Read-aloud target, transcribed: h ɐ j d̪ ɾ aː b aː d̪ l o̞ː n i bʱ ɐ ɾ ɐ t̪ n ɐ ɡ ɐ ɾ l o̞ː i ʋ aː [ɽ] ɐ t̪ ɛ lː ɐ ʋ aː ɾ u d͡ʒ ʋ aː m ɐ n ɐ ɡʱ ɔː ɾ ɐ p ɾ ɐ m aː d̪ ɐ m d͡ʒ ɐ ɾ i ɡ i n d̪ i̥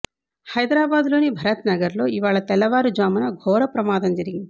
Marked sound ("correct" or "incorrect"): incorrect